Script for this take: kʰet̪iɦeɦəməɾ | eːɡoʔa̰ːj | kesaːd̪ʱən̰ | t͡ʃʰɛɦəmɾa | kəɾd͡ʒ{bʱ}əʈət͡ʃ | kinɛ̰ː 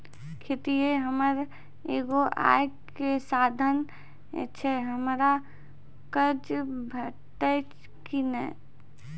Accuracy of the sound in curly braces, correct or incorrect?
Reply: correct